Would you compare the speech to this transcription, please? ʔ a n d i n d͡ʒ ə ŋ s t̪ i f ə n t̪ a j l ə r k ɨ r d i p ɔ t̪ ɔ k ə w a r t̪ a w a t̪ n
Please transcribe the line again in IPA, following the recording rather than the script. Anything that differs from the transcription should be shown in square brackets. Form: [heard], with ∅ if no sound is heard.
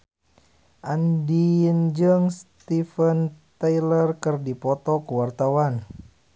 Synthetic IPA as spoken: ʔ a n d i n d͡ʒ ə ŋ s t̪ i f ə n t̪ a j l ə r k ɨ r d i p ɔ t̪ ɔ k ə w a r t̪ a w a [∅] n